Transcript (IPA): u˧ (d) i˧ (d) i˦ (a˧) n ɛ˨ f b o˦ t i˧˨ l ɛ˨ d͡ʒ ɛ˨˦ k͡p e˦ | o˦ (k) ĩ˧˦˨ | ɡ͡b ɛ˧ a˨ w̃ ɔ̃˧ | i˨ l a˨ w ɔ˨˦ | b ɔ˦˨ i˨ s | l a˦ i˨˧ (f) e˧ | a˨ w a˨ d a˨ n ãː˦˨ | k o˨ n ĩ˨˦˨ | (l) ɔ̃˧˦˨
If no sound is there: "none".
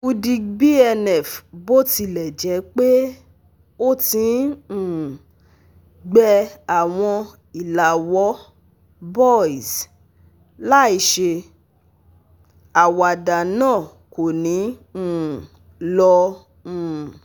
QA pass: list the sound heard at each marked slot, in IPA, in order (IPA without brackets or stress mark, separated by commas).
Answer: d, b, ɛ˧, t, ʃ, l